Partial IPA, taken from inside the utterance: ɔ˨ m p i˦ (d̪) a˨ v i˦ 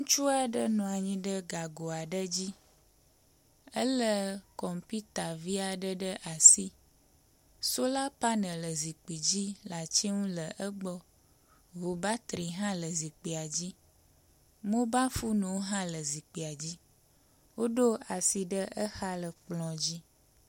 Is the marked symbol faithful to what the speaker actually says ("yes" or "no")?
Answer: no